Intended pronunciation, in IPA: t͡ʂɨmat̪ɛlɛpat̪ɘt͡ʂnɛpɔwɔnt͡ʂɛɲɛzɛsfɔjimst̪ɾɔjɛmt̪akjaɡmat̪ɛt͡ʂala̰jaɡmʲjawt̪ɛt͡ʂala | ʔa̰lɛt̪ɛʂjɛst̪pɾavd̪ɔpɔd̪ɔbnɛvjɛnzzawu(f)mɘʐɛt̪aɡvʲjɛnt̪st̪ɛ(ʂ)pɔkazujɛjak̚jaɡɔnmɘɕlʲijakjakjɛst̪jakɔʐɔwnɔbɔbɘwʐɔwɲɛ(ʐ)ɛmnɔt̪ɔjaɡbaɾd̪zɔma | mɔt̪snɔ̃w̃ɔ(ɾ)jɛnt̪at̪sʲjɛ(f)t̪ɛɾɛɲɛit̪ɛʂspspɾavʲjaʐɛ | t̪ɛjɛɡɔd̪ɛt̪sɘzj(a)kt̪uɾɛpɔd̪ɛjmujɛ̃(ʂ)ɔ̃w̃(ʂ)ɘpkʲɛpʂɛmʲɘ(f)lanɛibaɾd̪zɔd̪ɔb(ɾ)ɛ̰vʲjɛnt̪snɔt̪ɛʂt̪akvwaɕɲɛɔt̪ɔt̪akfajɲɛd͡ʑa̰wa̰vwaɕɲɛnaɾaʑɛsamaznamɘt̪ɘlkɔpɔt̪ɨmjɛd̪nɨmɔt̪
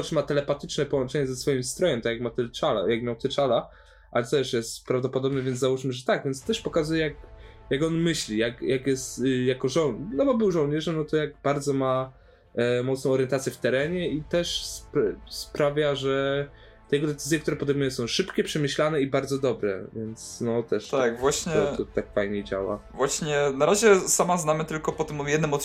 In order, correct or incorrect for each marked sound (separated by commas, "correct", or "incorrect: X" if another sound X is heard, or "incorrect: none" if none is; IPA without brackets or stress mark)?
incorrect: ʂ, correct, correct, correct, correct, incorrect: ɛ, incorrect: s, correct, incorrect: ɕ, correct